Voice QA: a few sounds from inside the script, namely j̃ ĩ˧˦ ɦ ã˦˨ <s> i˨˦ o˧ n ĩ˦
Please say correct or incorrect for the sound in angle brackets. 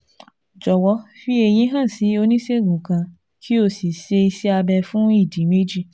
correct